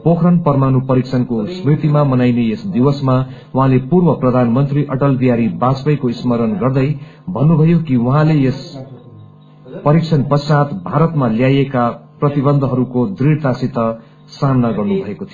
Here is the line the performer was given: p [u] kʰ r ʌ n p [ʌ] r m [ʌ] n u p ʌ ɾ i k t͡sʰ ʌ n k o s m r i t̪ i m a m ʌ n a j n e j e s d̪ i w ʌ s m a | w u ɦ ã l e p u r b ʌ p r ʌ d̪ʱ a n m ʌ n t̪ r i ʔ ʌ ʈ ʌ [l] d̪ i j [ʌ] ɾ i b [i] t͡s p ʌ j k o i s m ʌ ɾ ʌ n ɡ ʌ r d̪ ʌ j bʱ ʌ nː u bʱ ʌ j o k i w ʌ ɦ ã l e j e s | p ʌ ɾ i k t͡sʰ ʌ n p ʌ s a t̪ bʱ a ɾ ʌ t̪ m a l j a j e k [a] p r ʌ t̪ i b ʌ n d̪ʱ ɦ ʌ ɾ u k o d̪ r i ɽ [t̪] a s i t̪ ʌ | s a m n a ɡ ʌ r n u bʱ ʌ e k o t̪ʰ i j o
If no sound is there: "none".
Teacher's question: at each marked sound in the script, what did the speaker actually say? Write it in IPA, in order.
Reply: o, ʌ, a, l, a, a, a, t̪

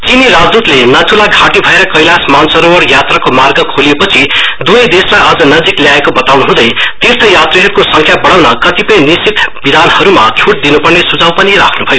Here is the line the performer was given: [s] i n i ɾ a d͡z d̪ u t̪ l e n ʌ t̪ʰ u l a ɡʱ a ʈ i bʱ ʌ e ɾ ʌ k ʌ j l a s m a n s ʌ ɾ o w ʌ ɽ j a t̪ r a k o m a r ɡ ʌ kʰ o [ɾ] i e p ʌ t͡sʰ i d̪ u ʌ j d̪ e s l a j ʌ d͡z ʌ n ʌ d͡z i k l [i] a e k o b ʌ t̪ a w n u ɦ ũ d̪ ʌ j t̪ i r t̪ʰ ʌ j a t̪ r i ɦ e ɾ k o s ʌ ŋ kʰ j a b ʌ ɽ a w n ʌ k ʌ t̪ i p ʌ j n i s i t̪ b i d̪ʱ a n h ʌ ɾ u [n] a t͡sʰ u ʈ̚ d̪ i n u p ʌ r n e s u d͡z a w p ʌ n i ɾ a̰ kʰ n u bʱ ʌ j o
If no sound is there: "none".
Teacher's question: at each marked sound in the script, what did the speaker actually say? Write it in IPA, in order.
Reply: t͡s, l, j, m

